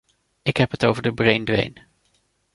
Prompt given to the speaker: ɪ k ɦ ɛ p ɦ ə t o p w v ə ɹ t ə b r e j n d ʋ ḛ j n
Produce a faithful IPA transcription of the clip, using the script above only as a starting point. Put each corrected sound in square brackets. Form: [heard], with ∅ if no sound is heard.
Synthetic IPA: ɪ k ɦ ɛ p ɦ ə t o [∅] w v ə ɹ [d] ə b r e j n d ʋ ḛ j n